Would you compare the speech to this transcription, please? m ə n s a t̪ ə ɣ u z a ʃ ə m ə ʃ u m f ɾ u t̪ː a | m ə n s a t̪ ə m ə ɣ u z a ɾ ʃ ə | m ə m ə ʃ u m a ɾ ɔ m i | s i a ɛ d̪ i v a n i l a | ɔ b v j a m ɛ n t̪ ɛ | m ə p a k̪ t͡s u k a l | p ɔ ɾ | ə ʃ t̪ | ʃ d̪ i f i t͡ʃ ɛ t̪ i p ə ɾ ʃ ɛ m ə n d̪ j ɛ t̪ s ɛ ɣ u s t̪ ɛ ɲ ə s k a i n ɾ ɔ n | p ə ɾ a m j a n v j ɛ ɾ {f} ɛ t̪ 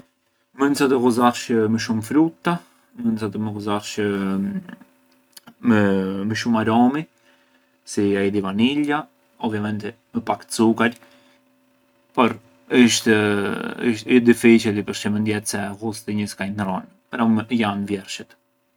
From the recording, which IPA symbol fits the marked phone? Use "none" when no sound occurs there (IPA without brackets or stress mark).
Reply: ʃ